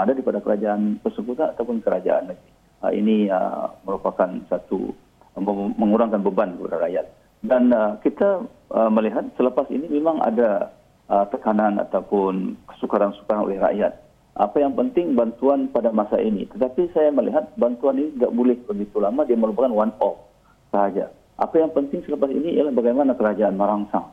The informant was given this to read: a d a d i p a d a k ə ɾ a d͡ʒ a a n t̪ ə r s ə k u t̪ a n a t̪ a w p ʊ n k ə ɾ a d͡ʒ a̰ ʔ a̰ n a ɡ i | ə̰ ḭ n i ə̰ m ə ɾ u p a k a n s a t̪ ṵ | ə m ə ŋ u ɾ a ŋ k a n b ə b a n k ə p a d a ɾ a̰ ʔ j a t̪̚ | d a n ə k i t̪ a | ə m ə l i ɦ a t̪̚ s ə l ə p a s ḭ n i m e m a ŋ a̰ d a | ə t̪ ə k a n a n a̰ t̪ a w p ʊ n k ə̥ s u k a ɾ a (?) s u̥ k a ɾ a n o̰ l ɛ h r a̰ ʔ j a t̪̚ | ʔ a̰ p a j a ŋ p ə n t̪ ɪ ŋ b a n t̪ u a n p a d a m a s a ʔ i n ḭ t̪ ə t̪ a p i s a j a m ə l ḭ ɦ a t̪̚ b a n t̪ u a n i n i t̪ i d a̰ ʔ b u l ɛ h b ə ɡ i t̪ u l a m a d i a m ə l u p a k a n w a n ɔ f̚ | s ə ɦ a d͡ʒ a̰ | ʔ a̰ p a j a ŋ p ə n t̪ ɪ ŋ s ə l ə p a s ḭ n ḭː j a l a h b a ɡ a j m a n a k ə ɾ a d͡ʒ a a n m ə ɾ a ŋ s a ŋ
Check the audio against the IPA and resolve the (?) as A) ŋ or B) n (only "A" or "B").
B